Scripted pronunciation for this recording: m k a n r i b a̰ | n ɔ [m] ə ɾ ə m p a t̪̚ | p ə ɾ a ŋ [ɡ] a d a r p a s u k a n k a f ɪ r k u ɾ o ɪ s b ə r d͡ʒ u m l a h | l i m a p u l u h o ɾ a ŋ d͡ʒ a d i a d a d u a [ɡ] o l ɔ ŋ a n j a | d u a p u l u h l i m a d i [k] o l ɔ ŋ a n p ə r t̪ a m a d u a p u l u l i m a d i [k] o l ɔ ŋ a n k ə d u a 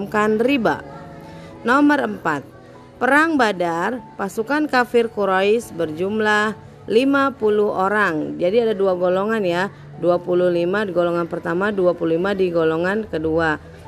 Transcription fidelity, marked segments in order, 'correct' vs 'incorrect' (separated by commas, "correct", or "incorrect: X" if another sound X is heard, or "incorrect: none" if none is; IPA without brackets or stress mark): correct, incorrect: b, correct, incorrect: ɡ, incorrect: ɡ